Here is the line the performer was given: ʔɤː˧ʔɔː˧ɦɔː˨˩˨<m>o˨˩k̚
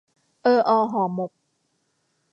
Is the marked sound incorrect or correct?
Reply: correct